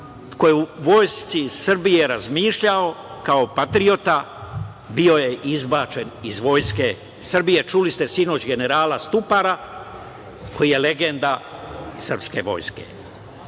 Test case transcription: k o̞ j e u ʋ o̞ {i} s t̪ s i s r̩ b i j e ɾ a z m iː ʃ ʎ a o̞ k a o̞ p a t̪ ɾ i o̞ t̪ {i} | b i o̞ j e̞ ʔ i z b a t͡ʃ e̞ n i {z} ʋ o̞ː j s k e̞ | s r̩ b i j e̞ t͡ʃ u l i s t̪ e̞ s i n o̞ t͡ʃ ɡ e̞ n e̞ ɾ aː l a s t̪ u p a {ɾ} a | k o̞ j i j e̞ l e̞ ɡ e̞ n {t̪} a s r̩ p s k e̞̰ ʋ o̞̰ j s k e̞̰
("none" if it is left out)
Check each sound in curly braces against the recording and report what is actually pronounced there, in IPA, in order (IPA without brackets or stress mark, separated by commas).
j, a, z, ɾ, d̪